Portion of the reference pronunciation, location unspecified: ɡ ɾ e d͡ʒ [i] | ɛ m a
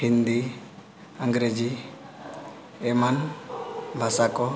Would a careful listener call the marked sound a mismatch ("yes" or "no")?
no